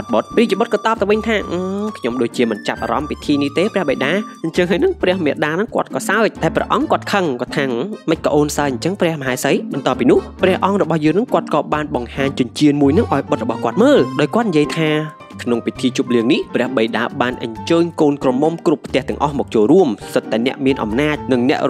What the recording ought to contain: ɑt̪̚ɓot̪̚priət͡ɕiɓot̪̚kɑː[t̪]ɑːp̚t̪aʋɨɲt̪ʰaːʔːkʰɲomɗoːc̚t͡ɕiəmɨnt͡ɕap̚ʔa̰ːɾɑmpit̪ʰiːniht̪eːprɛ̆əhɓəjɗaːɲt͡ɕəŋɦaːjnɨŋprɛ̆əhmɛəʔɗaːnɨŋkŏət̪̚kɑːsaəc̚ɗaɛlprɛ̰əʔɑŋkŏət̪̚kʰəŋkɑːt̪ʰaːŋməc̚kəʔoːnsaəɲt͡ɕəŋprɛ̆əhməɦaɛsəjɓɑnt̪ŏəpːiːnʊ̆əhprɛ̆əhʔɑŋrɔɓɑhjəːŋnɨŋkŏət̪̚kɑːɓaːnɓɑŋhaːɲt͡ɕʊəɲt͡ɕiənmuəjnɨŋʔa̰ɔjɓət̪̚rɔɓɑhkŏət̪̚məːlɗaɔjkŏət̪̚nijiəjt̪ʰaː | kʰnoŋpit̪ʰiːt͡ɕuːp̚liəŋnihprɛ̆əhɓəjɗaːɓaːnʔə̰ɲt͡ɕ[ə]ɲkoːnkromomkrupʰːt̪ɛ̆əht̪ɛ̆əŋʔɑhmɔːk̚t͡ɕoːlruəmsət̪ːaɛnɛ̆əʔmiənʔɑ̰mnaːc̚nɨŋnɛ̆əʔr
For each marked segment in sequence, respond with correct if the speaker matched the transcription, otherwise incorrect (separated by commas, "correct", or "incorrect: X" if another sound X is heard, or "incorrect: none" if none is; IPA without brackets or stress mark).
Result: correct, incorrect: əː